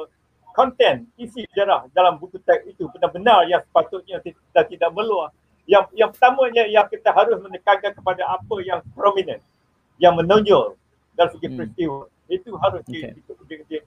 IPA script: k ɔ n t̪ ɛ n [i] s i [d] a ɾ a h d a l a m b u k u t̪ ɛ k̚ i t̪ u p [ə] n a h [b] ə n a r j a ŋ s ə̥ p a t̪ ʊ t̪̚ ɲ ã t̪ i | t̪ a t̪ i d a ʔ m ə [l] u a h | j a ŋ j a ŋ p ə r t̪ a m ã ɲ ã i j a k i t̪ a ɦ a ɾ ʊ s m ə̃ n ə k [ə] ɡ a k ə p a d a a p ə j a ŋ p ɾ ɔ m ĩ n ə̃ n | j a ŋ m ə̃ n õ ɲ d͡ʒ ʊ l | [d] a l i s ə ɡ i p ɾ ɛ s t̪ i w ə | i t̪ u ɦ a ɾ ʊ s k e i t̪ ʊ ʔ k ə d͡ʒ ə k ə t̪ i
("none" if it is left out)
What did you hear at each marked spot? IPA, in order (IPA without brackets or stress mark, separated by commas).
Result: i, d͡ʒ, ə, b, l, a, d